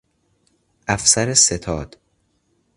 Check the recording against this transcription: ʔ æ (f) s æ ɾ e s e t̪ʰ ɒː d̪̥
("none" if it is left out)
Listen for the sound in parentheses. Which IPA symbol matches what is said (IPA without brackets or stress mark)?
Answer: f